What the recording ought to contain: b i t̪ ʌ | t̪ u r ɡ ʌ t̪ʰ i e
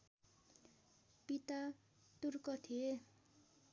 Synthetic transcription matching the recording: p i t̪ a | t̪ u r k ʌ t̪ʰ i e